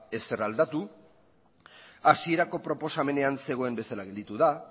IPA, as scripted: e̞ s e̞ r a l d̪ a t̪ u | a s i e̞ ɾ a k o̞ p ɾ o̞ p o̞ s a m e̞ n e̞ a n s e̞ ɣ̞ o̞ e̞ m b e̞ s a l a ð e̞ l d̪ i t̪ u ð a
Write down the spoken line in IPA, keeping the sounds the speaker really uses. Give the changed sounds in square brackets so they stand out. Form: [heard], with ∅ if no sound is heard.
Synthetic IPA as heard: e̞ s e̞ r a l d̪ a t̪ u | a s i e̞ ɾ a k o̞ p ɾ o̞ p o̞ s a m e̞ n e̞ a n s e̞ ɣ̞ o̞ e̞ m b e̞ s a l a [ɣ] e̞ l d̪ i t̪ u ð a